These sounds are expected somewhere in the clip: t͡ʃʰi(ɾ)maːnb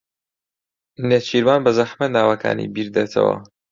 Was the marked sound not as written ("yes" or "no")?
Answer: no